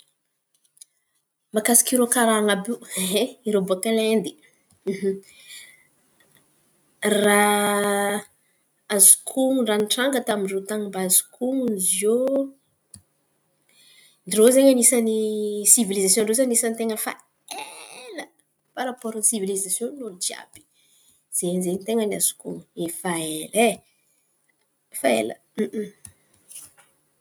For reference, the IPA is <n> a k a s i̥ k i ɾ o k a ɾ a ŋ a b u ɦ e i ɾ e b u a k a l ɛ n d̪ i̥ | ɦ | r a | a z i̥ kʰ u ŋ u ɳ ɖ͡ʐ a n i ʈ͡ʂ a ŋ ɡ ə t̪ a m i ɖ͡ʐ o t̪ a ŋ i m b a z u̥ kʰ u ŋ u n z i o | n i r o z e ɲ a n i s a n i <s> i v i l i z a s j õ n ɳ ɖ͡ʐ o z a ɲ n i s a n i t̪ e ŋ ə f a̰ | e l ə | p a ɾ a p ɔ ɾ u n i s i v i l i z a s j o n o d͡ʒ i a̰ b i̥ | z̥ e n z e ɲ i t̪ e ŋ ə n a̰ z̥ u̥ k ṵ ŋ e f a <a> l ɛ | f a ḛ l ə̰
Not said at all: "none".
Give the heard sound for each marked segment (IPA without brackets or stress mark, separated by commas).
m, s, e